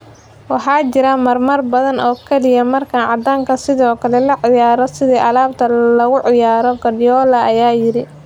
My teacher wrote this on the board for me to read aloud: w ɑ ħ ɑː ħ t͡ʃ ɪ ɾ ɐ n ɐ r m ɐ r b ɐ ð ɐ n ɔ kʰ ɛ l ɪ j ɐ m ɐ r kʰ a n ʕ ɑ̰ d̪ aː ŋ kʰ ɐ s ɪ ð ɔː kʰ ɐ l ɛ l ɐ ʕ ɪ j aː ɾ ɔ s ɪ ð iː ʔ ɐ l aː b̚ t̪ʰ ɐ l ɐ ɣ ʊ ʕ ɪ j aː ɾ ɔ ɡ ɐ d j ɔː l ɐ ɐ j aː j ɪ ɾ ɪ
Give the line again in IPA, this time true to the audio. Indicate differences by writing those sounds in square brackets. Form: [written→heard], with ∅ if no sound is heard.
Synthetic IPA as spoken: w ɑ ħ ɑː [ħ→∅] t͡ʃ ɪ ɾ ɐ [n→m] ɐ r m ɐ r b ɐ ð ɐ n [ɔ→ɔː] kʰ ɛ l ɪ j ɐ m ɐ r kʰ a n ʕ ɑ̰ d̪ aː ŋ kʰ ɐ s ɪ ð ɔː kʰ ɐ l ɛ l ɐ ʕ ɪ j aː ɾ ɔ s ɪ ð iː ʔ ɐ l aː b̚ t̪ʰ ɐ l ɐ ɣ ʊ ʕ ɪ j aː ɾ ɔ ɡ ɐ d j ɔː l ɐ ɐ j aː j ɪ ɾ ɪ

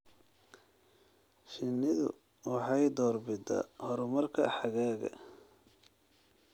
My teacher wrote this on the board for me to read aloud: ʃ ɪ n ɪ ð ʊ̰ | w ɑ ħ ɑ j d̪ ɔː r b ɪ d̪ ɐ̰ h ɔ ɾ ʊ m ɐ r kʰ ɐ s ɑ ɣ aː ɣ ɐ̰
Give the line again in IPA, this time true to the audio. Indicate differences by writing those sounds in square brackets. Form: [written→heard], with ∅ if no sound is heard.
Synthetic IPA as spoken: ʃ ɪ n ɪ ð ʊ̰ | w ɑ ħ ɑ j d̪ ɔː r b ɪ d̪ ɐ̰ h ɔ ɾ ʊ m ɐ r kʰ ɐ [s→ħ] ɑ ɣ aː ɣ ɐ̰

